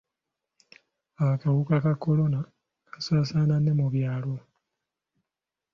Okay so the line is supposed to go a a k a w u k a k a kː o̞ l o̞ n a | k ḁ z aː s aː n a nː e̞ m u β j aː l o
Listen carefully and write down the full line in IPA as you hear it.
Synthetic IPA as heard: a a k a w u k a k a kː o̞ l o̞ n a | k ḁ s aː s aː n a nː e̞ m u β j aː l o